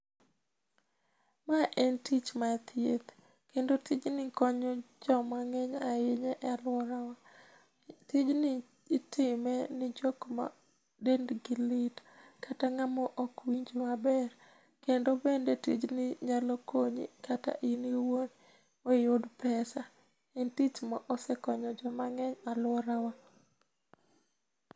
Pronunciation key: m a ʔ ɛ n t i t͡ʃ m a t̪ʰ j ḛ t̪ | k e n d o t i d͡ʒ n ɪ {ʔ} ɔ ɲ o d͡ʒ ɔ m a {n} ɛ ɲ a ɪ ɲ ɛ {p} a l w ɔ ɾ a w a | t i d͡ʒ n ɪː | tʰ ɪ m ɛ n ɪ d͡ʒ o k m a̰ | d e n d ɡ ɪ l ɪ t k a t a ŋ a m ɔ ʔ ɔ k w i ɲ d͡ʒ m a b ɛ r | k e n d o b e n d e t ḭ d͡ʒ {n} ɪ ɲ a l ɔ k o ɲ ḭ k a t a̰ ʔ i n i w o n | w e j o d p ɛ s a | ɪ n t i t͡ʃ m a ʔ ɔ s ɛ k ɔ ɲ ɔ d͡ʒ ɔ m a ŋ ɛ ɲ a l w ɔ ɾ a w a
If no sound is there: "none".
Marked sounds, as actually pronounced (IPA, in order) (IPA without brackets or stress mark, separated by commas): k, ŋ, ʔ, n